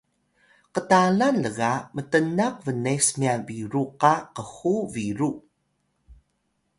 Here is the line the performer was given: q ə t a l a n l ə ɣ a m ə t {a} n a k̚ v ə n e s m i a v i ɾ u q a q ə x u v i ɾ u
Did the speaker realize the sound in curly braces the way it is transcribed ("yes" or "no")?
no